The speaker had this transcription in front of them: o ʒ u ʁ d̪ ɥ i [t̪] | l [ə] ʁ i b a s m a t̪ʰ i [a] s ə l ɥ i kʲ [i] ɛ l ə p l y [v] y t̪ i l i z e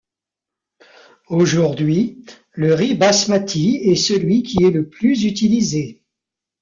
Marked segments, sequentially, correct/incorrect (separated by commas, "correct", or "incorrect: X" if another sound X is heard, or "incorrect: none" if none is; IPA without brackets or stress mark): incorrect: none, correct, incorrect: ɛ, correct, incorrect: z